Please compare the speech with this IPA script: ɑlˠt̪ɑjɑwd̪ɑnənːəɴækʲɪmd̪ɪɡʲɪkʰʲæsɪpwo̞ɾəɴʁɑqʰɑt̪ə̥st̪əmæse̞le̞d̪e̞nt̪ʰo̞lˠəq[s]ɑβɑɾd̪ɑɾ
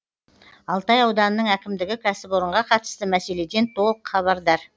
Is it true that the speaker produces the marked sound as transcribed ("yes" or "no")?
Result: no